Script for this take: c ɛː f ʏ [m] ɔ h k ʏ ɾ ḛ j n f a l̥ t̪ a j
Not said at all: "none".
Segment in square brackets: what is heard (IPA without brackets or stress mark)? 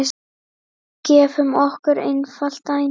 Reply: m